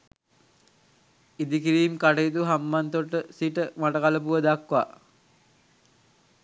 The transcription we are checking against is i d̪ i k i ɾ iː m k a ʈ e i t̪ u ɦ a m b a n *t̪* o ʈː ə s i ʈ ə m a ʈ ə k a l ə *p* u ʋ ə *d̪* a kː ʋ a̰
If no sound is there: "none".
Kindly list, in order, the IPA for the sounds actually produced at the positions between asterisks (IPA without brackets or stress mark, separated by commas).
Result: t̪, p, d̪